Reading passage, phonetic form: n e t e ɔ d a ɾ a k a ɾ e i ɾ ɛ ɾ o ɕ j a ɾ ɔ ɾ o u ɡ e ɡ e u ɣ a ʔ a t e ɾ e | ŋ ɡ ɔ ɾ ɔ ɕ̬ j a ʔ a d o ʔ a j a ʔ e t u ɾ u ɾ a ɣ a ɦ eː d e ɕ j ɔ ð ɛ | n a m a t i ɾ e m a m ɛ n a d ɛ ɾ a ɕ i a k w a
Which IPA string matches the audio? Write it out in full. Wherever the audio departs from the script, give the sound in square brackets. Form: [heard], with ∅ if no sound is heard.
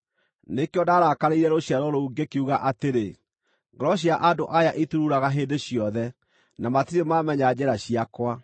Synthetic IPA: n e [k] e ɔ d a ɾ a k a ɾ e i ɾ ɛ ɾ o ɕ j a ɾ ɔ ɾ o u ɡ e [k] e u ɣ a ʔ a t e ɾ e | ŋ ɡ ɔ ɾ ɔ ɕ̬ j a ʔ a d o ʔ a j a ʔ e t u ɾ u ɾ a ɣ a ɦ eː d e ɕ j ɔ ð ɛ | n a m a t i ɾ e m a m ɛ [ɲ] a [d͡ʑ] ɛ ɾ a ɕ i a k w a